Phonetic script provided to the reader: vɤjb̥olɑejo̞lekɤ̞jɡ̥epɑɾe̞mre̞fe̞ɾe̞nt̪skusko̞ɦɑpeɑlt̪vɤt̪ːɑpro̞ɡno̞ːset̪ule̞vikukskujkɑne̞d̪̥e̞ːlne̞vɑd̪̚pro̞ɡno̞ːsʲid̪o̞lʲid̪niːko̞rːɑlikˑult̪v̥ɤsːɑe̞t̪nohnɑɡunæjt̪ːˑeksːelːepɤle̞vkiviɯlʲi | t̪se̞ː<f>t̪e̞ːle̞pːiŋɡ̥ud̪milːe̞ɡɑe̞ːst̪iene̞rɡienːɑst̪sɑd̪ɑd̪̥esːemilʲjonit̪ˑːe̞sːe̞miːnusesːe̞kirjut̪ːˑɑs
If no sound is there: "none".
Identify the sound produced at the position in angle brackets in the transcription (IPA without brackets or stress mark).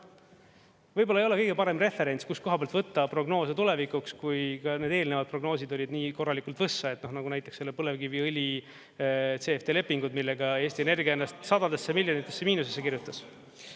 f